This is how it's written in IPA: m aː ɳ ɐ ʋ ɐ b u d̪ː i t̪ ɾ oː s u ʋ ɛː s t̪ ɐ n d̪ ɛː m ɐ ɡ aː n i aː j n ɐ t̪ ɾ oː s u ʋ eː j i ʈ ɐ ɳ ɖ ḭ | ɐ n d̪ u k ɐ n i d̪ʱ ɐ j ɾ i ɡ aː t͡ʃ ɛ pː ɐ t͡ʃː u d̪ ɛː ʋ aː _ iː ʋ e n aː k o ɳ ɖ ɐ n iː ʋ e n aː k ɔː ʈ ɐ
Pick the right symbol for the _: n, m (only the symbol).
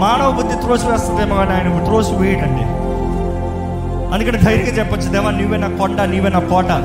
n